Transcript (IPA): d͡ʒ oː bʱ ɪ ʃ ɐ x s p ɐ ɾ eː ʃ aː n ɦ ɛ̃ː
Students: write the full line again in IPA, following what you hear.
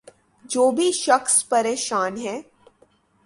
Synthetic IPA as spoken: d͡ʒ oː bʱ i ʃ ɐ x s p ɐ ɾ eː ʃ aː n ɦ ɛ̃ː